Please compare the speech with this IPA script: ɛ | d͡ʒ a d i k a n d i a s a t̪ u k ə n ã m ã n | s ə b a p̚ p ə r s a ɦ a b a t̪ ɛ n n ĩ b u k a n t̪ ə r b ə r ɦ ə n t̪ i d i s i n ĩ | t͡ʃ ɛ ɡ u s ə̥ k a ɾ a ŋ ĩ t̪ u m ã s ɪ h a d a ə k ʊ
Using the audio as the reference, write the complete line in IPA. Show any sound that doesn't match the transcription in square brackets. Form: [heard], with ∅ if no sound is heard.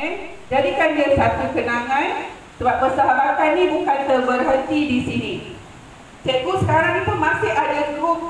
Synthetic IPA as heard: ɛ | d͡ʒ a d i k a n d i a s a t̪ u k ə n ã [ŋ] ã n | s ə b a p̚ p ə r s a ɦ a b a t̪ [a] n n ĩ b u k a n t̪ ə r b ə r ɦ ə n t̪ i d i s i n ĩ | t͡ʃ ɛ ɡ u s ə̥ k a ɾ a ŋ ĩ t̪ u m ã s ɪ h a d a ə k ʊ

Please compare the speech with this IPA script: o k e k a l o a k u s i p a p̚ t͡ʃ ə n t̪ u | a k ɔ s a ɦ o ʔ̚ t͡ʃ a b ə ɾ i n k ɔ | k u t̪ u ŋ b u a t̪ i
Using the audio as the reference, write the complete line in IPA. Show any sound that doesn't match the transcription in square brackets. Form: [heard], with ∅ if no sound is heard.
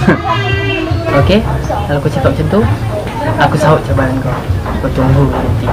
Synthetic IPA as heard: o k e k a l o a k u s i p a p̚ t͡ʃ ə n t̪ u | a k [u] s a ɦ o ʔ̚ t͡ʃ a b [a] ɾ [a] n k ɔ | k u t̪ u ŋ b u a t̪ i

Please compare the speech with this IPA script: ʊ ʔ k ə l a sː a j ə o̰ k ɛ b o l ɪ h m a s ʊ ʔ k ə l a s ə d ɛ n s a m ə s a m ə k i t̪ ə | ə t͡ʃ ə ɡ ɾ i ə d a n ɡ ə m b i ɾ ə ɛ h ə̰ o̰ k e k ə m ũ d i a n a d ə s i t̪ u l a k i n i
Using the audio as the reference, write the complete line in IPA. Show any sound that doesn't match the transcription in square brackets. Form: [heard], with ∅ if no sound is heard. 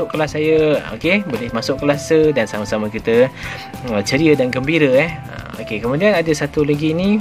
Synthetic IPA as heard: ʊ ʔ k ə l a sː a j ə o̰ k [e] b o l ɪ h m a s ʊ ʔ k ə l a s ə d [a] n s a m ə s a m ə k i t̪ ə | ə t͡ʃ ə [∅] ɾ i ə d a n ɡ ə m b i ɾ ə ɛ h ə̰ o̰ k e k ə m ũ d i a n a d ə s [a] t̪ u l a [ɡ] i n i

